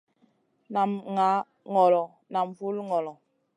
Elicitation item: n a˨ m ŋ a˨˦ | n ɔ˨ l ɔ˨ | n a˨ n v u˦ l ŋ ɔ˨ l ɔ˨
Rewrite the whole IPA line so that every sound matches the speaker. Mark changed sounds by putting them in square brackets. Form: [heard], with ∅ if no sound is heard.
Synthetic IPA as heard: n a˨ m ŋ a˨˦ | [ŋ] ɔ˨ l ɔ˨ | n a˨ [m] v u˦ l ŋ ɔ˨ l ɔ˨